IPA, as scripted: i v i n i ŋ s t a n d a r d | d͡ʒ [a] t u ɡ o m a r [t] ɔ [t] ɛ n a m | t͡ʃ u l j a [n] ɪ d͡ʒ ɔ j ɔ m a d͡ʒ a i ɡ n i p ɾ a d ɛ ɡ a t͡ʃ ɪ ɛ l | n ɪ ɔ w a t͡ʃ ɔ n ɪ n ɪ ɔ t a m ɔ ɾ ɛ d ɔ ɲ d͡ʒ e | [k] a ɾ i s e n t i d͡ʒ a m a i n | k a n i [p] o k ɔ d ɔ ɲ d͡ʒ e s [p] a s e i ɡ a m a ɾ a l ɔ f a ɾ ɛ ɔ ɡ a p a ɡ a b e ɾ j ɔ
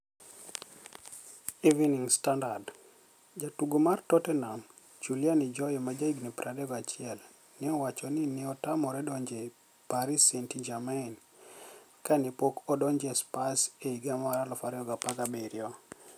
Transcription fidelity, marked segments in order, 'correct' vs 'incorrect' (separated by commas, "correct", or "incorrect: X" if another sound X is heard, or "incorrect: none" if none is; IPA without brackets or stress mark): correct, correct, correct, correct, incorrect: p, correct, correct